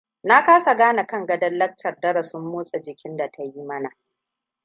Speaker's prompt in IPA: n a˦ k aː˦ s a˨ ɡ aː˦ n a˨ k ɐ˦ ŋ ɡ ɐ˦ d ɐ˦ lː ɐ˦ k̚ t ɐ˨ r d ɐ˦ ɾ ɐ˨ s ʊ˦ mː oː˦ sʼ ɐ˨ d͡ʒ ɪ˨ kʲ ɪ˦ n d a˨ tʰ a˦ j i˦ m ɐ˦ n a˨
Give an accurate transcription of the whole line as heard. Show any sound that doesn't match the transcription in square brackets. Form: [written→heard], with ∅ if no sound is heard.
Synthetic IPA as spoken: n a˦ k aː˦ s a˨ ɡ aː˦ n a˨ k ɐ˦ ŋ ɡ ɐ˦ d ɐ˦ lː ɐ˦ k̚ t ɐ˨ r d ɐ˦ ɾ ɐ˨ s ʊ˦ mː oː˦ sʼ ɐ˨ d͡ʒ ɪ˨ kʲ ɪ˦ n d a˨ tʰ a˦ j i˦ m ɐ˦ n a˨